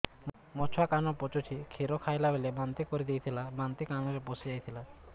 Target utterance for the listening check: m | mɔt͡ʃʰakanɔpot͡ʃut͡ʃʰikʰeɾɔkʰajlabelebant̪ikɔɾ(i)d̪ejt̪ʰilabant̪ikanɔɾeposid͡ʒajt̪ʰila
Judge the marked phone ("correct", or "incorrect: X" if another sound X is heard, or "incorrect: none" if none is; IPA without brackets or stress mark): correct